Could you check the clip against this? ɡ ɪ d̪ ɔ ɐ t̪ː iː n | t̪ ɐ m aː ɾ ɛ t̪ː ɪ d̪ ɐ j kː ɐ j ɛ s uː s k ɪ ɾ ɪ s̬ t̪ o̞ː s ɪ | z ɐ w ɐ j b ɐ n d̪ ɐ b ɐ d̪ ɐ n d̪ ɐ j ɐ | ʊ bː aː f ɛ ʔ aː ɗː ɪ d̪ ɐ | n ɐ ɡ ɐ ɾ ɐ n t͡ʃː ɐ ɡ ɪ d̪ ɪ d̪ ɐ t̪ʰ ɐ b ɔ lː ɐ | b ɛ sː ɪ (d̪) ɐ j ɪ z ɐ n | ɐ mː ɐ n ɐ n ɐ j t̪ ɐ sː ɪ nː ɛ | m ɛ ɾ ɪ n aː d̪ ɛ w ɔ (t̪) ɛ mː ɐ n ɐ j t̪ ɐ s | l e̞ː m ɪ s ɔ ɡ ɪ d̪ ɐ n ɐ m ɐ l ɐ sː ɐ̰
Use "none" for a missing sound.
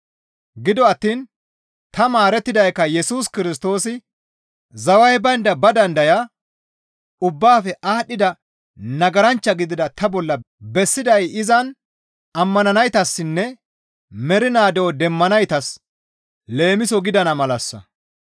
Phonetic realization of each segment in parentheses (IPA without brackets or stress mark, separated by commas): d̪, d̪